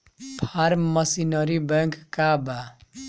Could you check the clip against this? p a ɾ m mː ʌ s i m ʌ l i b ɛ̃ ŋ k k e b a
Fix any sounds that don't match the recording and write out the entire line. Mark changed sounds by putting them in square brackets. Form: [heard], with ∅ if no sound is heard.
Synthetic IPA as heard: [pʰ] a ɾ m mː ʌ s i [n] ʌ [ɾ] i b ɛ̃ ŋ k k [a] b a